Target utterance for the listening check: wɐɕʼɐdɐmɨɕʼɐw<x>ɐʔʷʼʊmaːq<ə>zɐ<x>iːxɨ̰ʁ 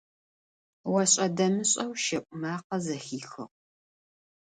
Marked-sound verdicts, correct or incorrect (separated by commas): incorrect, incorrect, correct